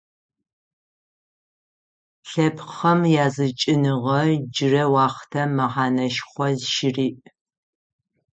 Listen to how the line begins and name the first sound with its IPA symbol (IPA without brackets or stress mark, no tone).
ɬ